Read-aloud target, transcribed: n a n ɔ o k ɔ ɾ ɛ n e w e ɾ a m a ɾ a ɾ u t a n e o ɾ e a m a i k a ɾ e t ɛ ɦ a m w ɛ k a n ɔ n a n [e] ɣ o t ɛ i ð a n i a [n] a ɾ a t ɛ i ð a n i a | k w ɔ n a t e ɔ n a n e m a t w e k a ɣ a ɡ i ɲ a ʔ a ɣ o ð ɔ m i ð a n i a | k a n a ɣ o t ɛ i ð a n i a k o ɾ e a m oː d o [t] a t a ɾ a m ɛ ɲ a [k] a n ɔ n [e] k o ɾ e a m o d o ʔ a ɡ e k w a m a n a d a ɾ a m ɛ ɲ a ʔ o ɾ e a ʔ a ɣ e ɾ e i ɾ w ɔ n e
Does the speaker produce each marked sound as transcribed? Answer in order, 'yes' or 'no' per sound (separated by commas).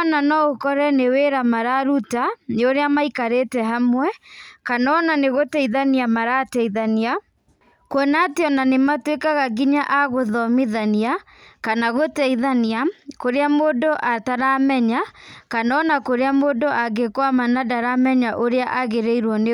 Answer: yes, no, no, yes, no